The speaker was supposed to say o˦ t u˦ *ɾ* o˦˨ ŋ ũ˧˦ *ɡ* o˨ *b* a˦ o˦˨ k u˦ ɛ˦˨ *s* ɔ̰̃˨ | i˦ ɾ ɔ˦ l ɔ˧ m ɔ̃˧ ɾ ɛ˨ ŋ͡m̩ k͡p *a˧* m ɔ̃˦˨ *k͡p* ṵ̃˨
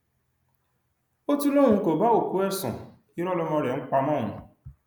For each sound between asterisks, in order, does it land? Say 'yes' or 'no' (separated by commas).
no, no, yes, yes, yes, no